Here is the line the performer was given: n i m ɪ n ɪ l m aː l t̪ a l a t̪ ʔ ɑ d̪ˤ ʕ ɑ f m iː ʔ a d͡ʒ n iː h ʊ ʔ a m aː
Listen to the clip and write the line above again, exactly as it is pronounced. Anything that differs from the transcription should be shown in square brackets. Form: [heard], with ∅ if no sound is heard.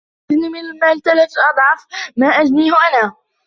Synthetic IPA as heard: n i m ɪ n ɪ l m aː l t̪ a l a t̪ ʔ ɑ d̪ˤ ʕ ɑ f m [aː] ʔ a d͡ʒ n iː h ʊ ʔ a [n] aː